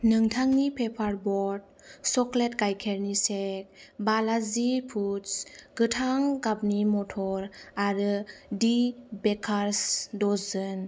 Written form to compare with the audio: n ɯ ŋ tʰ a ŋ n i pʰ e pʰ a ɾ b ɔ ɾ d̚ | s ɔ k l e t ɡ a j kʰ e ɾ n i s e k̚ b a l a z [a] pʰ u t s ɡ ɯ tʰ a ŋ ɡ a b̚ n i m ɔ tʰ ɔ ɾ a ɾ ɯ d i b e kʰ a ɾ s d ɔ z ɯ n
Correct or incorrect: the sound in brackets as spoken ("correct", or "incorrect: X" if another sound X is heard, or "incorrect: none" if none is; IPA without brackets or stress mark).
incorrect: i